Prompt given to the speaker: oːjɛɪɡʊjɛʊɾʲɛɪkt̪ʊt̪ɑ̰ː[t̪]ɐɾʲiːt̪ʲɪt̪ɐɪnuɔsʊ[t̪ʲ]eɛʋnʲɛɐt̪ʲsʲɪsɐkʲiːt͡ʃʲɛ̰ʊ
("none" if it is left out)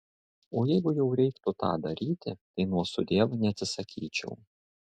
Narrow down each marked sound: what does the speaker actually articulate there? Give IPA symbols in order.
d̪, d̪ʲ

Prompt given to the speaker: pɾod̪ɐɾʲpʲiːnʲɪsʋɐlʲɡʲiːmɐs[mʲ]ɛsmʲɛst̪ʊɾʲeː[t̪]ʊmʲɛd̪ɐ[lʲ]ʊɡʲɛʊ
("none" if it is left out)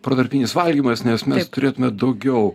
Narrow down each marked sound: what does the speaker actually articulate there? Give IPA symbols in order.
nʲ, t̪, none

